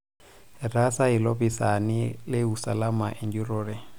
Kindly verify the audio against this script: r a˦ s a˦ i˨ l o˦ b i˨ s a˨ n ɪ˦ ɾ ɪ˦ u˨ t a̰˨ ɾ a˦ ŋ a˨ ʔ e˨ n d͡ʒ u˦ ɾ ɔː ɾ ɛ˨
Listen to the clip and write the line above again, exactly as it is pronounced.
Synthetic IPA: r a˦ s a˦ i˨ l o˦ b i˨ s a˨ n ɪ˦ l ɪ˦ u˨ s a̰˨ l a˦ m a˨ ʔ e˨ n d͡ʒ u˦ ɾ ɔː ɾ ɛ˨